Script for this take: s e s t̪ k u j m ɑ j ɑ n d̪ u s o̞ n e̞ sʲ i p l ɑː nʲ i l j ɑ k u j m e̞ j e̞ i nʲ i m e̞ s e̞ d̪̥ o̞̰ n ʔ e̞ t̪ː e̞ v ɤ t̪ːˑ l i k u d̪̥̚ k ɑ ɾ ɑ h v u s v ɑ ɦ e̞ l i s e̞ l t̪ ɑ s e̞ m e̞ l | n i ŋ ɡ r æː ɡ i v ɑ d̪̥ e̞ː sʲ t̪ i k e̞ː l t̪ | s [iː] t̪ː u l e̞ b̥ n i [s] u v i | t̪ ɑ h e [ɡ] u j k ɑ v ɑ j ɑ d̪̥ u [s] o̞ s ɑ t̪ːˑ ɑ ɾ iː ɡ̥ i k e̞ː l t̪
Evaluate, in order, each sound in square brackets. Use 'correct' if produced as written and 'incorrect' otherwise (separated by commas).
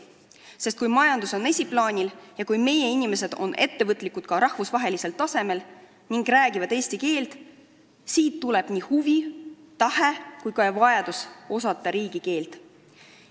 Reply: correct, incorrect, incorrect, correct